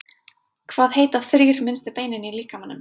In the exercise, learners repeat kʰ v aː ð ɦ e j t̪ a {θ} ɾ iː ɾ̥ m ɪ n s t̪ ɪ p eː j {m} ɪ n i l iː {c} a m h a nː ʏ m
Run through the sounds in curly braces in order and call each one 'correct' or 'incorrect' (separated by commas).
correct, incorrect, incorrect